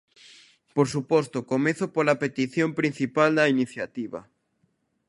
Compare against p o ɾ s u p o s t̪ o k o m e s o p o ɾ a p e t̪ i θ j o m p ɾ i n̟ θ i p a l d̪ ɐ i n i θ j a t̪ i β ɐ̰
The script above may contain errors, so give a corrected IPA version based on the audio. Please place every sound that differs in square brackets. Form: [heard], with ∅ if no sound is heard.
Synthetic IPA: p o ɾ s u p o s t̪ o k o m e [θ] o p o [l] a p e t̪ i θ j o m p ɾ i n̟ θ i p a l d̪ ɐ i n i θ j a t̪ i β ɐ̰